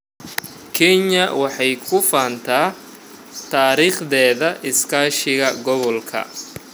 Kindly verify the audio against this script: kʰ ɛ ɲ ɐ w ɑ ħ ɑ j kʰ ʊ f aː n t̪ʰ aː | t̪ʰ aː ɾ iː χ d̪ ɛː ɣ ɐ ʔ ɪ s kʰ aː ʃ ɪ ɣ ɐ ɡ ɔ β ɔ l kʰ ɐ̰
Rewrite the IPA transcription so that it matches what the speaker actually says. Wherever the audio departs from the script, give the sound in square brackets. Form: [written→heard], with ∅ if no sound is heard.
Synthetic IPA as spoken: kʰ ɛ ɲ ɐ w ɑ ħ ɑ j kʰ ʊ f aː n t̪ʰ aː | t̪ʰ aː ɾ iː χ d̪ ɛː [ɣ→ð] ɐ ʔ ɪ s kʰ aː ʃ ɪ ɣ ɐ ɡ ɔ β ɔ l kʰ ɐ̰